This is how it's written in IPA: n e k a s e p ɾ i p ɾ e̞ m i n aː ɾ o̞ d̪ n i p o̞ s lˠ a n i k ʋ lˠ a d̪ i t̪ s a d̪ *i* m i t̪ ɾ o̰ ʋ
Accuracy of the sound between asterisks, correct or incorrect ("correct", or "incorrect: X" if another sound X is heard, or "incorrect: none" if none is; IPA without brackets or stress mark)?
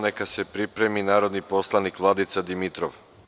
correct